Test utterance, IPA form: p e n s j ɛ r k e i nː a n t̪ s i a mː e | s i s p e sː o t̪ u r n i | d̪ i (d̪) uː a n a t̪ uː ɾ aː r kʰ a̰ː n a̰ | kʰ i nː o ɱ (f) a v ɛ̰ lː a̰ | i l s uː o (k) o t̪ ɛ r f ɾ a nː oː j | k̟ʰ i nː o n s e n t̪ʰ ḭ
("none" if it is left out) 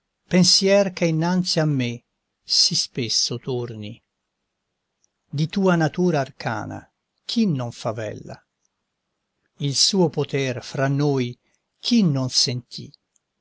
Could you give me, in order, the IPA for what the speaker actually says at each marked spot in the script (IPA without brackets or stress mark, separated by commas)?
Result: t̪, f, p